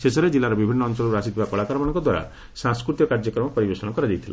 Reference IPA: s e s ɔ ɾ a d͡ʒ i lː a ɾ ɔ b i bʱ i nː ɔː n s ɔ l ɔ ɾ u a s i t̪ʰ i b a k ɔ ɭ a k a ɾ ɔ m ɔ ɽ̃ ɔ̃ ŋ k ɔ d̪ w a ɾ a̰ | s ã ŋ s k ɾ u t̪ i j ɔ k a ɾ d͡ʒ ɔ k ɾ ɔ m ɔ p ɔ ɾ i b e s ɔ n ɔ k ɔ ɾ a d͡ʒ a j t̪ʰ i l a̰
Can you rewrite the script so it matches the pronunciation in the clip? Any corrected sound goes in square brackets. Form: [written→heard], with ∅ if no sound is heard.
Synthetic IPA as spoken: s e s ɔ ɾ [a→e] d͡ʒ i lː a ɾ ɔ b i bʱ i nː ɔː n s ɔ l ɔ ɾ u a s i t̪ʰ i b a k ɔ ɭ a k a ɾ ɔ m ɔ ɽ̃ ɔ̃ ŋ k ɔ d̪ w a ɾ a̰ | s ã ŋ s k ɾ u t̪ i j ɔ k a ɾ d͡ʒ ɔ k ɾ ɔ m ɔ p ɔ ɾ i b e s ɔ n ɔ k ɔ ɾ a d͡ʒ a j t̪ʰ i l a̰